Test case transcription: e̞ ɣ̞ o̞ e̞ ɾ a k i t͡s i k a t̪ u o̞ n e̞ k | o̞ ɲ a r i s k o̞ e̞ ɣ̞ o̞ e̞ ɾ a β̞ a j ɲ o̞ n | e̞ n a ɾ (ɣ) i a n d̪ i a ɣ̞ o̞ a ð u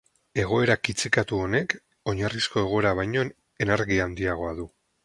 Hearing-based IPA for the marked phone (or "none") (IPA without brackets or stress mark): ɣ